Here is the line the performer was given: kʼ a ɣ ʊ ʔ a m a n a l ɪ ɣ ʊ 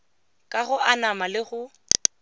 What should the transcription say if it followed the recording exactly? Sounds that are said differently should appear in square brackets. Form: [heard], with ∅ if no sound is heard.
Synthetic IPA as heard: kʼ a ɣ ʊ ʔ a [n] a [m] a l ɪ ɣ ʊ